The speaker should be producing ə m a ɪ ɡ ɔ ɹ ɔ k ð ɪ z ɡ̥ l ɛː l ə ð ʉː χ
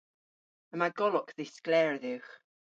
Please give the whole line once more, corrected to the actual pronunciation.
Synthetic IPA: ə m a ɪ ɡ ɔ l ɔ k ð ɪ s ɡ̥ l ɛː ɹ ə ð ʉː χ

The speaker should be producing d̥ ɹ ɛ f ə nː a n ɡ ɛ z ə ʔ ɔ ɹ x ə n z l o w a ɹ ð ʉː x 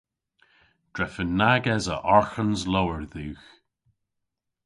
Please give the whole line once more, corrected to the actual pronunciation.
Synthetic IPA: d̥ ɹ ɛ f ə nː a ɡ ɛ z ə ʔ ɔ ɹ x ə n z l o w ə ɹ ð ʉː x

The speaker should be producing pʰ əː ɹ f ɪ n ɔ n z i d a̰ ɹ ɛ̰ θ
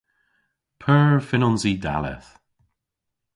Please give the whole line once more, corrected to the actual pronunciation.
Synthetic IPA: pʰ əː ɹ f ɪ n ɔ n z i d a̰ l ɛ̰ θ

